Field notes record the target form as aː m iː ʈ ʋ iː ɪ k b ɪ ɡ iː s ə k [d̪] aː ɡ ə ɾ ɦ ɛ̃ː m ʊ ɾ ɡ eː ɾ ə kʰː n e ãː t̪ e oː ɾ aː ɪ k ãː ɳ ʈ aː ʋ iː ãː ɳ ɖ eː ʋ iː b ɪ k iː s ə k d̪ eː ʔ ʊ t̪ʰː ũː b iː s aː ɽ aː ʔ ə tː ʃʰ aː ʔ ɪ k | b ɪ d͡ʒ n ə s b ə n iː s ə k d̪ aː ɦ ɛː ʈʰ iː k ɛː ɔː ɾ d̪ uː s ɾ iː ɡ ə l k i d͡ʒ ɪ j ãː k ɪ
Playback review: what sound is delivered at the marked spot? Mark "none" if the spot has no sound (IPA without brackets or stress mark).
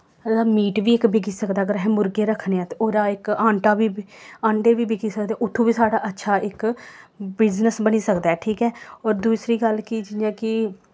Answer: d̪